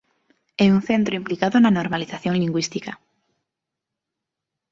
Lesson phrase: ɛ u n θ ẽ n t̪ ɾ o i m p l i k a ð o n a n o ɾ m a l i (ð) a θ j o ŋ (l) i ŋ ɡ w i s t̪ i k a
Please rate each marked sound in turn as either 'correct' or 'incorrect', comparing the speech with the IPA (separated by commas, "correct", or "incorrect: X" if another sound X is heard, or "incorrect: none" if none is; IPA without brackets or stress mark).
incorrect: θ, correct